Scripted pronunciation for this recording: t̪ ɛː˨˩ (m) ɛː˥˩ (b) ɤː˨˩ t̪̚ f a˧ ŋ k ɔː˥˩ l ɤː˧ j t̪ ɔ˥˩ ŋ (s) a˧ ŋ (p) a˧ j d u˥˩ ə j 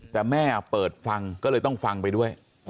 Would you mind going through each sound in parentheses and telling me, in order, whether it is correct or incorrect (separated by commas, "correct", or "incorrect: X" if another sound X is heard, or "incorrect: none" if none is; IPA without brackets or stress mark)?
correct, incorrect: p, incorrect: f, correct